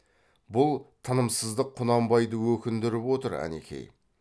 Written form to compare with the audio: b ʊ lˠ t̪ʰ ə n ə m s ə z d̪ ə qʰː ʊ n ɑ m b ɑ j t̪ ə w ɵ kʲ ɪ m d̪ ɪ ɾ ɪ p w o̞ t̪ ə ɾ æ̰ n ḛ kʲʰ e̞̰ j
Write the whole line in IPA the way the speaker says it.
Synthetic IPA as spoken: b ʊ lˠ t̪ʰ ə n ə m s ə z d̪ ə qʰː ʊ n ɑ m b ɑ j d̪ ə w ɵ kʲ ɪ n d̪ ɪ ɾ ɪ p w o̞ t̪ ə ɾ æ̰ n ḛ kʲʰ e̞̰ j